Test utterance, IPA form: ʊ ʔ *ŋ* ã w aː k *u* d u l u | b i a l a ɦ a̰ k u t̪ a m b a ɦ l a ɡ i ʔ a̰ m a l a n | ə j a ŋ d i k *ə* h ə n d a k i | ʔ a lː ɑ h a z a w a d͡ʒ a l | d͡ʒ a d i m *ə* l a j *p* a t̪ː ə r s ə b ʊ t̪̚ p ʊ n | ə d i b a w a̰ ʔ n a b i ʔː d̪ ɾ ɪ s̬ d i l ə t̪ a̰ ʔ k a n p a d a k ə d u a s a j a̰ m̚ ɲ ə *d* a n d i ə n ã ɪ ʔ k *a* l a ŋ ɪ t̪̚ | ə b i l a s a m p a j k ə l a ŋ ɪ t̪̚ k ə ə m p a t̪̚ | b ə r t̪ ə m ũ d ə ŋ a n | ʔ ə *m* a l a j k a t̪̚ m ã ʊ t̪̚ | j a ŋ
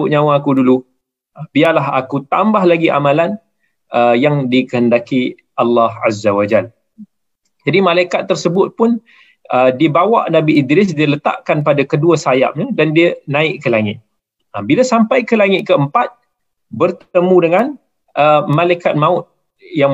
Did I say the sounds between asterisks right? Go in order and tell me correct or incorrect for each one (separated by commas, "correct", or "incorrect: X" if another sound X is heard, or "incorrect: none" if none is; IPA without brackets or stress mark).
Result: incorrect: ɲ, correct, correct, incorrect: a, incorrect: k, correct, incorrect: ə, correct